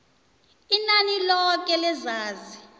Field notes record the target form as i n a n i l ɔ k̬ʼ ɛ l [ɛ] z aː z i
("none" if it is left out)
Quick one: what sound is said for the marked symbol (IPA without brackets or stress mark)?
ɛ